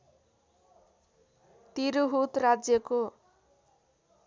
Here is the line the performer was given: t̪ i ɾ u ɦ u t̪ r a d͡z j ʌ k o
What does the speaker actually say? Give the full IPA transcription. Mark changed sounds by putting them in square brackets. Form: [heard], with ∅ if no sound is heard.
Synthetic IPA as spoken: t̪ i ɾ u ɦ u t̪ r a d͡z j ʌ k o